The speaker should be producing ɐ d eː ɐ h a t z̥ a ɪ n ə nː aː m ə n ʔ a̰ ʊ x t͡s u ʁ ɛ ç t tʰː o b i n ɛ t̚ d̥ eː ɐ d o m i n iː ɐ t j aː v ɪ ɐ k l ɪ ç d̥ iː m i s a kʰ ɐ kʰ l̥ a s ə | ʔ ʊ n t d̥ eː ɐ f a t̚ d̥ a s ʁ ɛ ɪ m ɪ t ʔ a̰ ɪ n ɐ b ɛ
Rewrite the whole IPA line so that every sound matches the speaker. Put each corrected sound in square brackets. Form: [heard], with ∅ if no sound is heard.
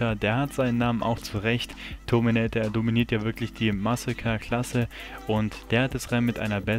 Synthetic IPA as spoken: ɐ d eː ɐ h a t z̥ a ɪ n ə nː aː m ə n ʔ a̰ ʊ x t͡s u ʁ ɛ ç t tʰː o [m] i n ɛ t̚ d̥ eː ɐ d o m i n iː ɐ t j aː v ɪ ɐ k l ɪ ç d̥ iː m [a] s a kʰ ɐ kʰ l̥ a s ə | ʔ ʊ n t d̥ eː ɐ [h] a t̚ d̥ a s ʁ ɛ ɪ m ɪ t ʔ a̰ ɪ n ɐ b ɛ